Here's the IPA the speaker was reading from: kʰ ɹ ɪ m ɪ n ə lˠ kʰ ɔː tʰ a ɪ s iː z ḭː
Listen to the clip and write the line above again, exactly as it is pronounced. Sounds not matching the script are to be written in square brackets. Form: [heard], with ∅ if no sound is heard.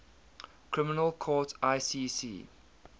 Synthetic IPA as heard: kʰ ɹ ɪ m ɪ n ə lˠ kʰ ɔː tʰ a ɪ s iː [s] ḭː